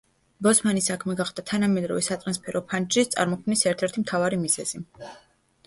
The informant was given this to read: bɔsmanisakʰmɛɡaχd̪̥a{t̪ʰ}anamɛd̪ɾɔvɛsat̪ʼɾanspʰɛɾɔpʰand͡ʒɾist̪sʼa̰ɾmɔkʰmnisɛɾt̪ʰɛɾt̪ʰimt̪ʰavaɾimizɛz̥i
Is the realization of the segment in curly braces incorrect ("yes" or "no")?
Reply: no